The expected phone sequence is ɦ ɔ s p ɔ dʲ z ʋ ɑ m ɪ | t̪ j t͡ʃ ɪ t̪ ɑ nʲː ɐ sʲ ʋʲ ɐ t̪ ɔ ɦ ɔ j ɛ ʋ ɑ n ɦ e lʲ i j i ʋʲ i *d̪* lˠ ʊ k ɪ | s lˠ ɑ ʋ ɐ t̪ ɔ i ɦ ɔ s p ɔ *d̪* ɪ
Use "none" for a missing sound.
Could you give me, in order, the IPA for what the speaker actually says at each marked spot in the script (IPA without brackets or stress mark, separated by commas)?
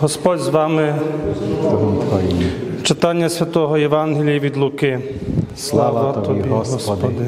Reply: d̪, d̪